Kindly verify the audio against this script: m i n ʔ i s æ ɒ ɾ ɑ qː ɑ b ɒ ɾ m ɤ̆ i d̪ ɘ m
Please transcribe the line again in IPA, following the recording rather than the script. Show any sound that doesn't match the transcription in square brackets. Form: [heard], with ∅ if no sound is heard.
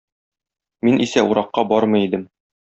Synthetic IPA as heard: m i n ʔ i s æ [u] ɾ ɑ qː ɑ b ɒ ɾ m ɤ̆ i d̪ ɘ m